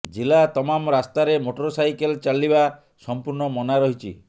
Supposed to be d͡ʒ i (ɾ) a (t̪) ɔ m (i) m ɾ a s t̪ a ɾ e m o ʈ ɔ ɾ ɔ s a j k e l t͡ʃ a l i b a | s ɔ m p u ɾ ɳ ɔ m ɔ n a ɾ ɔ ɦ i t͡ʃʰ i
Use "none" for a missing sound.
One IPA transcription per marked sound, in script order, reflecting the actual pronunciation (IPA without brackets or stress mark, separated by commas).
l, t̪, a